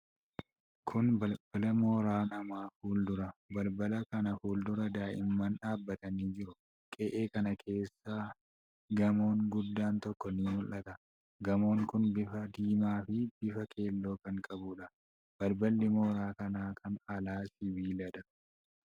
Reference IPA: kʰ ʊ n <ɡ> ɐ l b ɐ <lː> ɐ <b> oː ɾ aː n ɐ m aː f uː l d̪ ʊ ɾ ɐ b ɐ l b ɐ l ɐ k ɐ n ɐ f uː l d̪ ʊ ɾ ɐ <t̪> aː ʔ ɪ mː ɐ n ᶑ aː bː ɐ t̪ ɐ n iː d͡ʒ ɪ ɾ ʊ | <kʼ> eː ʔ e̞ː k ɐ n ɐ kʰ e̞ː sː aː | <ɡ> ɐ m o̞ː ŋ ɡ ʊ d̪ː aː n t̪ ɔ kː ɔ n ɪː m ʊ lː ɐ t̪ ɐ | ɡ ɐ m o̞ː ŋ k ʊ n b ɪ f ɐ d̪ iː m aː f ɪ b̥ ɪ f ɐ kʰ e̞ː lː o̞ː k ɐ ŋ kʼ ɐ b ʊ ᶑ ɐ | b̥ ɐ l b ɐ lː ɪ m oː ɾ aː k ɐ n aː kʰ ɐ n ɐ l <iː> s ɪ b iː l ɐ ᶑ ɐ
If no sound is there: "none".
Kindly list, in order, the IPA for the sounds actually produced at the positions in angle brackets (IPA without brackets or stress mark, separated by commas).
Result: b, l, m, d̪, kʼ, ɡ, aː